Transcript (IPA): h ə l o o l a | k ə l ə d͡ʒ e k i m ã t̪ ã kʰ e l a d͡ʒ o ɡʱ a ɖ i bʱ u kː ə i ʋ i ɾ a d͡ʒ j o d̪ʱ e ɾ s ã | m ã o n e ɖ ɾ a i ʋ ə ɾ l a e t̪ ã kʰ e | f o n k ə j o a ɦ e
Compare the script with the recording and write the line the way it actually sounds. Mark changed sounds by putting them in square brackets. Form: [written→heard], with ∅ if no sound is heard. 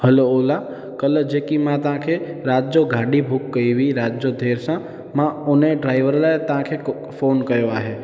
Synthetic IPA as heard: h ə l o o l a | k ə l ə d͡ʒ e k i m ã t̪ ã kʰ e [l→ɾ] a d͡ʒ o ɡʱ a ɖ i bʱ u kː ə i ʋ i ɾ a d͡ʒ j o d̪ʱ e ɾ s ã | m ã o n e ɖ ɾ a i ʋ ə ɾ l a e t̪ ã kʰ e | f o n k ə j o a ɦ e

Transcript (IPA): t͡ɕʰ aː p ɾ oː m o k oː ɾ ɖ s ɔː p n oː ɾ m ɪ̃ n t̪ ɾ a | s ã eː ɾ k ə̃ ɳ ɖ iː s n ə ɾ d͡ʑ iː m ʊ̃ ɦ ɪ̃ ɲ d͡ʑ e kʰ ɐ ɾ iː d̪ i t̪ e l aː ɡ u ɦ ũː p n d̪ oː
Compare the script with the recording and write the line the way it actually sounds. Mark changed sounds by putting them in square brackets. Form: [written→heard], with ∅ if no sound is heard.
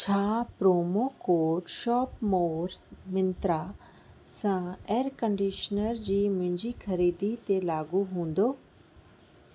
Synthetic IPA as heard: t͡ɕʰ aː p ɾ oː m o k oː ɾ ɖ [s→ʃ] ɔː p [n→m] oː ɾ m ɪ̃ n t̪ ɾ a | s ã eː ɾ k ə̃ ɳ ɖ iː [s→ʃ] n ə ɾ d͡ʑ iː m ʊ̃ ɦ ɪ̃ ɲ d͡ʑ [e→i] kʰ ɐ ɾ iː d̪ i t̪ e l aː ɡ u ɦ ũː [p→∅] n d̪ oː

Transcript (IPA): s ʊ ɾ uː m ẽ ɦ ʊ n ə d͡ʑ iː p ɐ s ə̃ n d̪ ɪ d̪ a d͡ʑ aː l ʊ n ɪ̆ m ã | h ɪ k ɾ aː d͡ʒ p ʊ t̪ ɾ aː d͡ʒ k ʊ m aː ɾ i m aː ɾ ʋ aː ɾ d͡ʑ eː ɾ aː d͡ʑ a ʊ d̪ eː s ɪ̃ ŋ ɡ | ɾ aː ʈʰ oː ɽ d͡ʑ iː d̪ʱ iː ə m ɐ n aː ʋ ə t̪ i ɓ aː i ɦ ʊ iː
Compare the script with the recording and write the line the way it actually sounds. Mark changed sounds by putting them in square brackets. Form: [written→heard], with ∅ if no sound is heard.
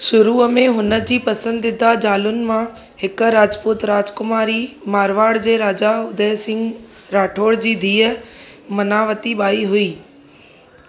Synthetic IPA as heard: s ʊ ɾ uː m ẽ ɦ ʊ n ə d͡ʑ iː p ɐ s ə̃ n d̪ ɪ d̪ a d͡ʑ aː l ʊ n ɪ̆ m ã | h ɪ k ɾ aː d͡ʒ p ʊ t̪ ɾ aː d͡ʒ k ʊ m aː ɾ i m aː ɾ ʋ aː [ɾ→ɽ] d͡ʑ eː ɾ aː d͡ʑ a ʊ d̪ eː s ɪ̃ ŋ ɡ | ɾ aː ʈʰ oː ɽ d͡ʑ iː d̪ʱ iː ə m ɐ n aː ʋ ə t̪ i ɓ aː i ɦ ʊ iː

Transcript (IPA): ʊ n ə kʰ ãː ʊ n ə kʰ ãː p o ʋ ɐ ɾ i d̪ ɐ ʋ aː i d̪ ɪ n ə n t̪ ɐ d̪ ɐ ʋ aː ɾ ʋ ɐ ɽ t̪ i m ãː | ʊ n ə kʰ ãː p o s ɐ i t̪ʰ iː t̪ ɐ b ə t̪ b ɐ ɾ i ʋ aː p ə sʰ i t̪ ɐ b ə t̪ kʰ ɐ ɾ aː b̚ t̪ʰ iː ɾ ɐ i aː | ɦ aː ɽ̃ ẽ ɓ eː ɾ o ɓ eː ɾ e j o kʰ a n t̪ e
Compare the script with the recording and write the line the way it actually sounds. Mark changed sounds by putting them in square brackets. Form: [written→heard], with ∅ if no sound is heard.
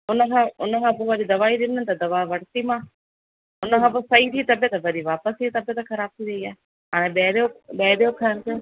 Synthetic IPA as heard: ʊ n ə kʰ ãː ʊ n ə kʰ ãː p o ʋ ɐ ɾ i d̪ ɐ ʋ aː i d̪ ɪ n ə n t̪ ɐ d̪ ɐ ʋ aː [ɾ→∅] ʋ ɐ ɽ t̪ i m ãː | ʊ n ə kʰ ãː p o s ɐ i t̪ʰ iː t̪ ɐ b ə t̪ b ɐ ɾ i ʋ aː p ə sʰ i t̪ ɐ b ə t̪ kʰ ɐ ɾ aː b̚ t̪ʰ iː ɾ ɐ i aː | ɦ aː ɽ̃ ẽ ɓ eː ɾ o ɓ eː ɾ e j o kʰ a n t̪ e

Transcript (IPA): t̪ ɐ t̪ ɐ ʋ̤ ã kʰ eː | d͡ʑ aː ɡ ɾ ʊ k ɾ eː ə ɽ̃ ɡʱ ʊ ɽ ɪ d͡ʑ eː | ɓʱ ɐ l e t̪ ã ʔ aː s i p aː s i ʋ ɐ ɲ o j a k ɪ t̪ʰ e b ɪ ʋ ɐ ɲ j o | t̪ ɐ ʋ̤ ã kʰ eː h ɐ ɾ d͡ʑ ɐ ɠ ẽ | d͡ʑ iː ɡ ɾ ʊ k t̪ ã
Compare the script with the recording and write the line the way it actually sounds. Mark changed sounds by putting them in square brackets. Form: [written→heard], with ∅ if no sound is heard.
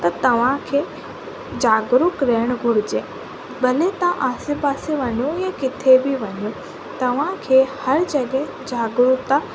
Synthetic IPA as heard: t̪ ɐ t̪ ɐ ʋ̤ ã kʰ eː | d͡ʑ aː ɡ ɾ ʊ k ɾ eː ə ɽ̃ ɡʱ ʊ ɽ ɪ d͡ʑ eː | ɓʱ ɐ l e t̪ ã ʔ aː s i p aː s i ʋ ɐ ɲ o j a k ɪ t̪ʰ e b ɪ ʋ ɐ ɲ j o | t̪ ɐ ʋ̤ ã kʰ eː h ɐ ɾ d͡ʑ ɐ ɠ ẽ | d͡ʑ [iː→aː] ɡ ɾ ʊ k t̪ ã

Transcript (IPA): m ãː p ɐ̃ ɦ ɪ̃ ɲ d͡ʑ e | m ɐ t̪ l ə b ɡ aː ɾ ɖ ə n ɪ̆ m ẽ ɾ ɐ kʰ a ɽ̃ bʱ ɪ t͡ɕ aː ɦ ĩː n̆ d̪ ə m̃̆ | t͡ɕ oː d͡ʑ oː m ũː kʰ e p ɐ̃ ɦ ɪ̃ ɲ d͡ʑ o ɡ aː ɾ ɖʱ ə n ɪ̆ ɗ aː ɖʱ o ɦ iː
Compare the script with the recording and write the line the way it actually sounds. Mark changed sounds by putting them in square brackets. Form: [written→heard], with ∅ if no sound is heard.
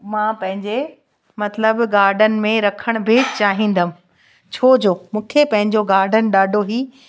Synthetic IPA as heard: m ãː p ɐ̃ ɦ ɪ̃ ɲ d͡ʑ e | m ɐ t̪ l ə b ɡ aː ɾ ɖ ə n ɪ̆ m ẽ ɾ ɐ kʰ [a→ə] ɽ̃ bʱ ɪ t͡ɕ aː ɦ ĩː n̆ d̪ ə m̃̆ | [t͡ɕ→t͡ɕʰ] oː d͡ʑ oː m ũː kʰ e p ɐ̃ ɦ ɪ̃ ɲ d͡ʑ o ɡ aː ɾ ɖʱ ə n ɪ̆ ɗ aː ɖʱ o ɦ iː

